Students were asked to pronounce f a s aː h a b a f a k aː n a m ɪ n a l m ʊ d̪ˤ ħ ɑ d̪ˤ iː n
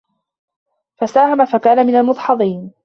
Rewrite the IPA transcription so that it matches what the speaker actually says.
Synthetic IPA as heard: f a s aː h a m a f a k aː n a m ɪ n a l m ʊ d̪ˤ ħ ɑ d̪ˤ iː n